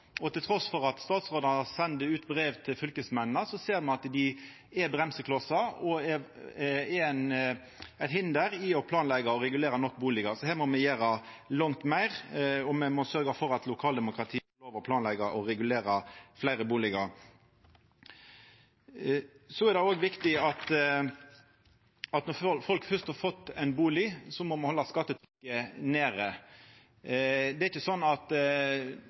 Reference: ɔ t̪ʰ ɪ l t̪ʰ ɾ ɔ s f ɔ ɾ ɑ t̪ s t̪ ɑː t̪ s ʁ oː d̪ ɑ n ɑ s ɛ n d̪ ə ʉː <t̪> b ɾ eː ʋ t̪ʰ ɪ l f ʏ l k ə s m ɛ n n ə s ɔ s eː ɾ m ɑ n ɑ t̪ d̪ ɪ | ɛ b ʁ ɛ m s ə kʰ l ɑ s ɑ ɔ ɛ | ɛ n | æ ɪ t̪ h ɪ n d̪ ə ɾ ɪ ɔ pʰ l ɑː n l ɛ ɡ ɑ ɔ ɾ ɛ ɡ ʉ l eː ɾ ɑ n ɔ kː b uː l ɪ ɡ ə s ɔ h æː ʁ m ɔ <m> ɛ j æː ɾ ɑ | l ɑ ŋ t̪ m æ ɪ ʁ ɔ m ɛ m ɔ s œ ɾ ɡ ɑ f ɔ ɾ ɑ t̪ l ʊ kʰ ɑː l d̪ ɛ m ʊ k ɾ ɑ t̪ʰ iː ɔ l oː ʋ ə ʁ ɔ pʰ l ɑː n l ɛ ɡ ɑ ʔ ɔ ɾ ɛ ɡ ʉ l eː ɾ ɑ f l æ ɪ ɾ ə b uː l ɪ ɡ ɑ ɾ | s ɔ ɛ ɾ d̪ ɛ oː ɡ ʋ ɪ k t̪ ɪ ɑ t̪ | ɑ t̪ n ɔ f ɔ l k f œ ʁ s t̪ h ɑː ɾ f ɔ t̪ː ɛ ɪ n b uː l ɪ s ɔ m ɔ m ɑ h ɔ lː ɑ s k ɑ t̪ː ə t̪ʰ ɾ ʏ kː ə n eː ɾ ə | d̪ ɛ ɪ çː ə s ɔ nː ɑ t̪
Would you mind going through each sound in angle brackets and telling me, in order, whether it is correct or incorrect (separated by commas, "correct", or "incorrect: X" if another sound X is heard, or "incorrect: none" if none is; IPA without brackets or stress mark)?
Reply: correct, correct